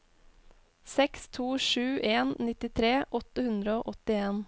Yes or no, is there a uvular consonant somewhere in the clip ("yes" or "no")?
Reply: no